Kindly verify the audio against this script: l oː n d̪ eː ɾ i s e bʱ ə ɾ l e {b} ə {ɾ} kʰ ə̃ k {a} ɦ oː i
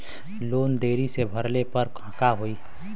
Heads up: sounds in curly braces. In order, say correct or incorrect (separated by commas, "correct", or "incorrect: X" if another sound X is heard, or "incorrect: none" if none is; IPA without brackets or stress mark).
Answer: incorrect: p, correct, correct